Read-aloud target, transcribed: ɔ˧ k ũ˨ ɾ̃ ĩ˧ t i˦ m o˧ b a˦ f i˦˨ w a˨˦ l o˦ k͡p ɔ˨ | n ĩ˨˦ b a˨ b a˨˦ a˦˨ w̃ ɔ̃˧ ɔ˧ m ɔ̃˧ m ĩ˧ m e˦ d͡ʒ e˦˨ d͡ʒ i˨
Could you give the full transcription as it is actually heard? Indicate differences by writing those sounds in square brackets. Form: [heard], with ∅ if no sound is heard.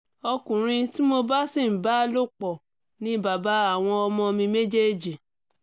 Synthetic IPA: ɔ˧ k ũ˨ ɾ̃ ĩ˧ t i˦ m o˧ b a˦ [s] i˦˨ [b] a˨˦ l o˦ k͡p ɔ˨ | n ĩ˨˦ b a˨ b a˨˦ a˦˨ w̃ ɔ̃˧ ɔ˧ m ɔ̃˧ m ĩ˧ m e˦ d͡ʒ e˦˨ d͡ʒ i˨